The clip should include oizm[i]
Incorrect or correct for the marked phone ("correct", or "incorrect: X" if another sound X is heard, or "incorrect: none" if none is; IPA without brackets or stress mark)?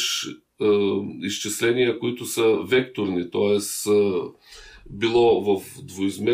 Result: incorrect: ɛ